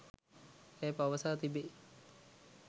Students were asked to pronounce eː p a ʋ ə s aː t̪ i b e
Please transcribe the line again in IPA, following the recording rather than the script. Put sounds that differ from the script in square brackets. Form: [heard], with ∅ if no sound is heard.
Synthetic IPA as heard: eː p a ʋ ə s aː t̪ i b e